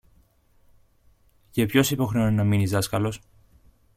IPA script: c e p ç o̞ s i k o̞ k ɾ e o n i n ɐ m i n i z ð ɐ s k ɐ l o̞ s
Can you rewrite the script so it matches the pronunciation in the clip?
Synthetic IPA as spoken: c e p ç o̞ s i p o̞ x ɾ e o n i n ɐ m i n i z ð ɐ s k ɐ l o̞ s

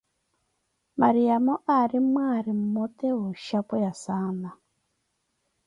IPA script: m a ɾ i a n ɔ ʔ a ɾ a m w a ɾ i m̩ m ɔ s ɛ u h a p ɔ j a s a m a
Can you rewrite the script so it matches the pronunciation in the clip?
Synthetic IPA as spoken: m a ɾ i a m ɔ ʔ a ɾ i m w a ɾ i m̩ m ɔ t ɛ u ʃ a p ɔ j a s a n a

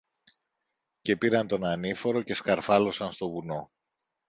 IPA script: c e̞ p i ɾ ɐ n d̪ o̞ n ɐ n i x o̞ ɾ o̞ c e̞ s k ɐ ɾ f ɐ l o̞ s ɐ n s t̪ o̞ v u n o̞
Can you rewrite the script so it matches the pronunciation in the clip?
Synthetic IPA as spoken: c e̞ p i ɾ ɐ n t̪ o̞ n ɐ n i f o̞ ɾ o̞ c e̞ s k ɐ ɾ f ɐ l o̞ s ɐ n s t̪ o̞ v u n o̞

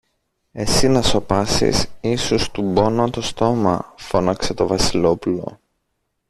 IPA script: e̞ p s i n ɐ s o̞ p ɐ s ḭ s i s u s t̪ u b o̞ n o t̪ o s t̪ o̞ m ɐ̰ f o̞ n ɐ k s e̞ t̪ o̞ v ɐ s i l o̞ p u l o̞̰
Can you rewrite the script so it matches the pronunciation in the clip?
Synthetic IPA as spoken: e̞ s i n ɐ s o̞ p ɐ s ḭ s i s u s t̪ u b o̞ n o t̪ o s t̪ o̞ m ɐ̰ f o̞ n ɐ k s e̞ t̪ o̞ v ɐ s i l o̞ p u l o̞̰

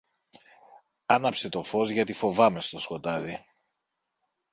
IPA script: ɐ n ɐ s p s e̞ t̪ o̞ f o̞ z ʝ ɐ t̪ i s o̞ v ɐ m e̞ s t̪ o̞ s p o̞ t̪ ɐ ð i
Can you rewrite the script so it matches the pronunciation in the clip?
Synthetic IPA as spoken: ɐ n ɐ p s e̞ t̪ o̞ f o̞ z ʝ ɐ t̪ i f o̞ v ɐ m e̞ s t̪ o̞ s k o̞ t̪ ɐ ð i

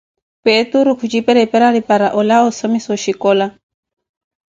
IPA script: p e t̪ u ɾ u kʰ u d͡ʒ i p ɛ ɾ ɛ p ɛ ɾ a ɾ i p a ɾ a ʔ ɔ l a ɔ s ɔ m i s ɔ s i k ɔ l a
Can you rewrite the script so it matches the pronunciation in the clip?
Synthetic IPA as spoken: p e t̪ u ɾ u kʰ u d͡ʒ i p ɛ ɾ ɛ p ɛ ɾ a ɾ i p a ɾ a ʔ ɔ l a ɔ s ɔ m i s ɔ ʃ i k ɔ l a

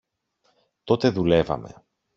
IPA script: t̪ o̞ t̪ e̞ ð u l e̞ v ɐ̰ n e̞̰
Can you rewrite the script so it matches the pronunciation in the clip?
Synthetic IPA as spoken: t̪ o̞ t̪ e̞ ð u l e̞ v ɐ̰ m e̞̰

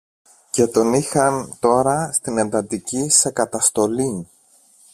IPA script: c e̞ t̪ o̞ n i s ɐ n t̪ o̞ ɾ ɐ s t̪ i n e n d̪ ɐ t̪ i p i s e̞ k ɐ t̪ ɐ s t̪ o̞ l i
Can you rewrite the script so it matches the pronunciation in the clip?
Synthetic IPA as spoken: c e̞ t̪ o̞ n i x ɐ n t̪ o̞ ɾ ɐ s t̪ i n e n d̪ ɐ t̪ i c i s e̞ k ɐ t̪ ɐ s t̪ o̞ l i

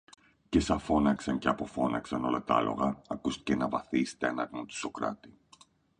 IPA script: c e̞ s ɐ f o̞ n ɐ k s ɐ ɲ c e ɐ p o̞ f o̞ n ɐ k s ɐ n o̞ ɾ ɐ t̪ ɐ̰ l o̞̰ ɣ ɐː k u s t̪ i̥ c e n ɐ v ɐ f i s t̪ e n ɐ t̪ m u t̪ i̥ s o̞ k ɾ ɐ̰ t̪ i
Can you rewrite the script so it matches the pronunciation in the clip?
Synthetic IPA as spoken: c e̞ s ɐ f o̞ n ɐ k s ɐ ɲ c e ɐ p o̞ f o̞ n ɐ k s ɐ n o̞ l ɐ t̪ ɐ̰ l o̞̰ ɣ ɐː k u s t̪ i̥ c e n ɐ v ɐ θ i s t̪ e n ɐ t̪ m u t̪ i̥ s o̞ k ɾ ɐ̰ t̪ i

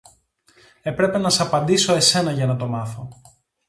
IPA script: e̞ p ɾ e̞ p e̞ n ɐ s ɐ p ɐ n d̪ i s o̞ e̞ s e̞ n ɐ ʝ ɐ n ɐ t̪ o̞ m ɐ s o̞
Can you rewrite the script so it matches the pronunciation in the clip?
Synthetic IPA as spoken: e̞ p ɾ e̞ p e̞ n ɐ s ɐ p ɐ n d̪ i s o̞ e̞ s e̞ n ɐ ʝ ɐ n ɐ t̪ o̞ m ɐ θ o̞

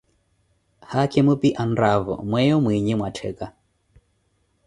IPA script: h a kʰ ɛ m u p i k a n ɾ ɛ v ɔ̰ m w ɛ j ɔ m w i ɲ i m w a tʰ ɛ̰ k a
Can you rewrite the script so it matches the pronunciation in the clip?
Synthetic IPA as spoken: h a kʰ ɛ m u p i ʔ a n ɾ a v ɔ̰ m w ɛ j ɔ m w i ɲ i m w a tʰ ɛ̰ k a

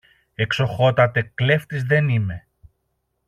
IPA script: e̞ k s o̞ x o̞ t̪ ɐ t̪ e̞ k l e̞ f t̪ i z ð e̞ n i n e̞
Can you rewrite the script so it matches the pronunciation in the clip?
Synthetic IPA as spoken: e̞ k s o̞ x o̞ t̪ ɐ t̪ e̞ k l e̞ f t̪ i z ð e̞ n i m e̞

